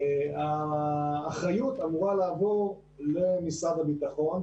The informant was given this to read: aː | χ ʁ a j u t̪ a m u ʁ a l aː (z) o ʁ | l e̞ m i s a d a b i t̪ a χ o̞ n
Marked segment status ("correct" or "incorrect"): incorrect